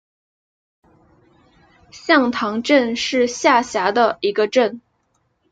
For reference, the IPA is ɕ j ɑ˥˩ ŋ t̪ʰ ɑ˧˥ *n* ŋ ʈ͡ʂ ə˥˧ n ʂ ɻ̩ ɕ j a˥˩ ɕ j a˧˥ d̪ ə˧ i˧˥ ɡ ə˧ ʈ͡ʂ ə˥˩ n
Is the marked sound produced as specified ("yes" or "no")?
no